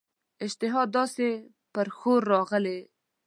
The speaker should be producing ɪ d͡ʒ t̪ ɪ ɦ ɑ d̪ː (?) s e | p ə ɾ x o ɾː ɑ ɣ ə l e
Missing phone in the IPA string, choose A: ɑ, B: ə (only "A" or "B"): A